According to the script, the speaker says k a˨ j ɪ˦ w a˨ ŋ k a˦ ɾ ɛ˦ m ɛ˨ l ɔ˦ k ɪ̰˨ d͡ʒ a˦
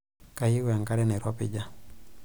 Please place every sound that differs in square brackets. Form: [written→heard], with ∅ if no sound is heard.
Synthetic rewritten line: k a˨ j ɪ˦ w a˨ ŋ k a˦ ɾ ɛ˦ [m→n] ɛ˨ [l→ɾ] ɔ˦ [k→p] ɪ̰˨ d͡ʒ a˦